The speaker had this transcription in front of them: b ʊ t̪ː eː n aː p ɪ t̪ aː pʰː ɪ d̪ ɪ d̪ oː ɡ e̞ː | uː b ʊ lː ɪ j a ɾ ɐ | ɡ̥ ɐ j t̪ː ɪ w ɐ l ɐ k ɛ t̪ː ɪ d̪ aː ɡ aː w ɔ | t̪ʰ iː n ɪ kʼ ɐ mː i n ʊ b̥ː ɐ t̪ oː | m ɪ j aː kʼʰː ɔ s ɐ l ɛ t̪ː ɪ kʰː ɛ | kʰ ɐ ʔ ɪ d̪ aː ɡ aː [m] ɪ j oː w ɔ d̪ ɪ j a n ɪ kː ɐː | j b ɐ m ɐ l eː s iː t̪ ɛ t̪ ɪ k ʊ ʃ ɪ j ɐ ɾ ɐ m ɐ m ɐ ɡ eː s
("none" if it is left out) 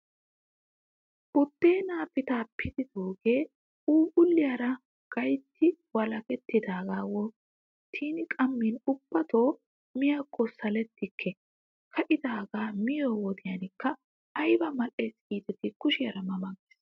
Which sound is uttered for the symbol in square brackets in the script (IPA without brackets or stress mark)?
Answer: m